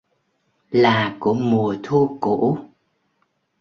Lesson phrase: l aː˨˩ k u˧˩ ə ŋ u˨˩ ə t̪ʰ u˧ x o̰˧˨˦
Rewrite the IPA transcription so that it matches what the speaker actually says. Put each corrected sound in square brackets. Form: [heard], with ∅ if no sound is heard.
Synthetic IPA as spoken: l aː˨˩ k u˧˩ ə [m] u˨˩ ə t̪ʰ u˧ [k] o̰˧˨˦